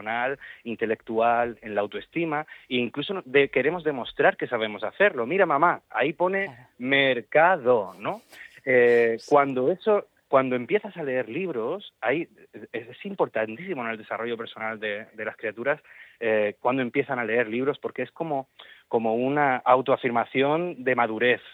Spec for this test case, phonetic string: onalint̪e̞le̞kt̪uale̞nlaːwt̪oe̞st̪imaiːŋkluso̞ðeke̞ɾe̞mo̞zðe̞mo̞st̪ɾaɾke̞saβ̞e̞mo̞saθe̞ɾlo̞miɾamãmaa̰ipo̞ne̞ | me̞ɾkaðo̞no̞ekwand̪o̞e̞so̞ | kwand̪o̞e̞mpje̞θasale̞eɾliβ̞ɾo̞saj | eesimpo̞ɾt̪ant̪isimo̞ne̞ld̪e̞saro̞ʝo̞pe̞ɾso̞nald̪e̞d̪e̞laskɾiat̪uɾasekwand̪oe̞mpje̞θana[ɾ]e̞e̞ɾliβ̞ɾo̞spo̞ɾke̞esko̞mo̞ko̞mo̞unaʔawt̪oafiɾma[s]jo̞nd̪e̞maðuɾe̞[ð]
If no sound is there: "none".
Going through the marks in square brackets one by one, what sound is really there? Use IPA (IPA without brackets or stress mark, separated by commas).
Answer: l, θ, θ